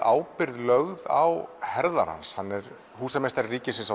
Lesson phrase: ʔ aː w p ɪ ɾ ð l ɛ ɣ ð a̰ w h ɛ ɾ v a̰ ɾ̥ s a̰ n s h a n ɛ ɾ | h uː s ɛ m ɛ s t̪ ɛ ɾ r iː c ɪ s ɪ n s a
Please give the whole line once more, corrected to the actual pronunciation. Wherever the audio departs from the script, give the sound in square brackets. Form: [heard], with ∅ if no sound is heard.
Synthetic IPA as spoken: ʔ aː w p ɪ ɾ ð l [œ] ɣ ð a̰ w h ɛ ɾ [ð] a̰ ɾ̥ [h] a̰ n s h a [nː] ɛ ɾ | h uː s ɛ m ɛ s t̪ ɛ ɾ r iː c ɪ s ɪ n s a